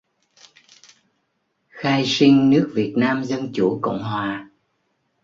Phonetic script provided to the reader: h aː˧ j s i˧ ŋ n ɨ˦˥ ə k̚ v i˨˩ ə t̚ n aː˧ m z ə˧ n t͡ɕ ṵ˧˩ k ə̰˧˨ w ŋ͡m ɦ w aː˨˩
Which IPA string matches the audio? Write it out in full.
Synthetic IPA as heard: x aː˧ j s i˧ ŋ n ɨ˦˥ ə k̚ v i˨˩ ə t̚ n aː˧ m z ə˧ n t͡ɕ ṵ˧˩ k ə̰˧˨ w ŋ͡m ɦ w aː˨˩